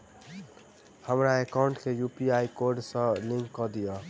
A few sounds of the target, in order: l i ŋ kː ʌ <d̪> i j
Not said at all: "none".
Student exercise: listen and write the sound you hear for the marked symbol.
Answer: d̪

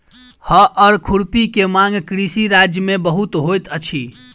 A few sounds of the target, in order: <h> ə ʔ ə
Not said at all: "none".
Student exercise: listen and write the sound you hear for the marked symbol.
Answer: h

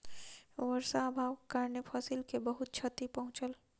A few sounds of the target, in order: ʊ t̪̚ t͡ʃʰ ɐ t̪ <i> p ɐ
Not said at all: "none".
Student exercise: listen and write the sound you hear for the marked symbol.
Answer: i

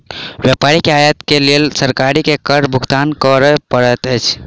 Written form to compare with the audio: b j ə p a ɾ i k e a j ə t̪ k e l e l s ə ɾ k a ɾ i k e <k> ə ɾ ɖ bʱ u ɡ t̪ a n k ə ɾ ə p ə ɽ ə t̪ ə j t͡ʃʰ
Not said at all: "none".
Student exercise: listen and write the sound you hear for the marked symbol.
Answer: k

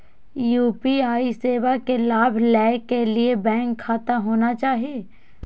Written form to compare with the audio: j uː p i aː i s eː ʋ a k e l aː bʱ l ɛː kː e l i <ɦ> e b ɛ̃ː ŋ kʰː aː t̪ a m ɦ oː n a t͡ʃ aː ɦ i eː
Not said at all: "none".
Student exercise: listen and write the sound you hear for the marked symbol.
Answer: none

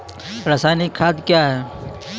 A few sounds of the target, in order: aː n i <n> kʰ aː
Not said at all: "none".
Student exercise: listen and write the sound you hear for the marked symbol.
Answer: none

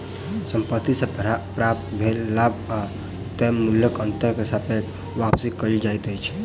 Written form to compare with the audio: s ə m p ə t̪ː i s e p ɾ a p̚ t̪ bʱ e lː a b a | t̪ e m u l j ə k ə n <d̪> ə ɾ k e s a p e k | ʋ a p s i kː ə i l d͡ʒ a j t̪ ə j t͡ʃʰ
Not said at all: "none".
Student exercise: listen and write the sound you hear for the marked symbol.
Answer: t̪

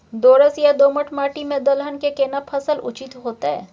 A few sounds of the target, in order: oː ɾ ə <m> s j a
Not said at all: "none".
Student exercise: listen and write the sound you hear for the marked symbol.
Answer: none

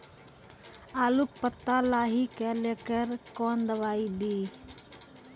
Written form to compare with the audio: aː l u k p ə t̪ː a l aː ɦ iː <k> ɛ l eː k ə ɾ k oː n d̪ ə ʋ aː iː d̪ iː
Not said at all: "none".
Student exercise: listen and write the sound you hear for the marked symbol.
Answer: k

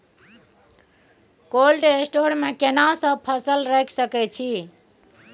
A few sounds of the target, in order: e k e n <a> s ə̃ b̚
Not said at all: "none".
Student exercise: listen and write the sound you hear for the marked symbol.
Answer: a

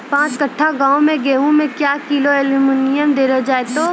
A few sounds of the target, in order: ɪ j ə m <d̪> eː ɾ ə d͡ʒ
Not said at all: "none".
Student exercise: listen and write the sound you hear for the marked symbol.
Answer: d̪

